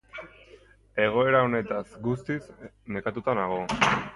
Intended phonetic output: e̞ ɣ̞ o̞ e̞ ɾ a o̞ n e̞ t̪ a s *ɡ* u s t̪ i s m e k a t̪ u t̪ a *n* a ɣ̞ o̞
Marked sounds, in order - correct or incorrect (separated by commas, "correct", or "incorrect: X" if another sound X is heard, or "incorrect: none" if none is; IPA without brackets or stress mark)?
correct, correct